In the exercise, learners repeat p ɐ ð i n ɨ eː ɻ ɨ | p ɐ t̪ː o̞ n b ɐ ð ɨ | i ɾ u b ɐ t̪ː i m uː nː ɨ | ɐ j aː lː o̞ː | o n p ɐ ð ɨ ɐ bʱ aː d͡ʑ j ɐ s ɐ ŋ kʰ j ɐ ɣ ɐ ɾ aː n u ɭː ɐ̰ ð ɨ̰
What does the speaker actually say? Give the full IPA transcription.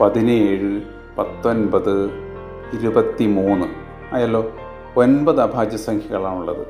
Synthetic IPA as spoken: p ɐ ð i n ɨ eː ɻ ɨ | p ɐ t̪ː o̞ n b ɐ ð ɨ | i ɾ u b ɐ t̪ː i m uː nː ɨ | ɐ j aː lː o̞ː | o n b ɐ ð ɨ ɐ bʱ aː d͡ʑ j ɐ s ɐ ŋ kʰ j ɐ ɣ ɐ ɭ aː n u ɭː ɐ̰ ð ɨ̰